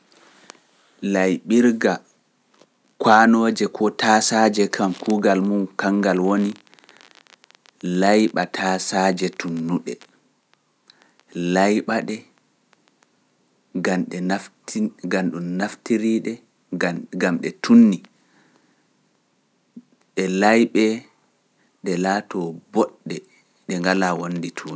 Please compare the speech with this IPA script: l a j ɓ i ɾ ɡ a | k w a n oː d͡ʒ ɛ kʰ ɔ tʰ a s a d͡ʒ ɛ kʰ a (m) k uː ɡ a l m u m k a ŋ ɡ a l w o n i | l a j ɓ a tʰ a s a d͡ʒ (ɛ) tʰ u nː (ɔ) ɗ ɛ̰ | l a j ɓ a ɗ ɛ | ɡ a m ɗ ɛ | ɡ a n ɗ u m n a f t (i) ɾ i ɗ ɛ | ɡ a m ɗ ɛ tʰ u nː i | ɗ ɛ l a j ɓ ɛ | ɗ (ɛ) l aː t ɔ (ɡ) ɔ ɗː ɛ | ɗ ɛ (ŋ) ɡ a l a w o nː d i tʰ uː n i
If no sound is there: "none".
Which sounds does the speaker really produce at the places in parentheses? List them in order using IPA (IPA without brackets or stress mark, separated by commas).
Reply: m, ɛ, u, i, ɛ, b, ŋ